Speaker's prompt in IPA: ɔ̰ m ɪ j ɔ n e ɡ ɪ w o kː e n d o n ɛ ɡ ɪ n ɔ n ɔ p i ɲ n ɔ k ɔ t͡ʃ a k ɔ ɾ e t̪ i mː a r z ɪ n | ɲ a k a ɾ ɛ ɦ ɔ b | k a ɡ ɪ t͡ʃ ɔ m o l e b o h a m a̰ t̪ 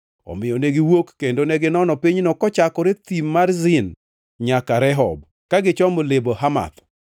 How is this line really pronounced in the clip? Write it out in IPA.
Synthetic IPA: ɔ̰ m ɪ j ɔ n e ɡ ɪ w o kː e n d o n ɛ ɡ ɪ n ɔ n ɔ p i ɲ n ɔ k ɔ t͡ʃ a k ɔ ɾ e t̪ i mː a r z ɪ n | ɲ a k a ɾ ɛ ɦ ɔ b | k a ɡ ɪ t͡ʃ ɔ m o l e b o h a m a̰ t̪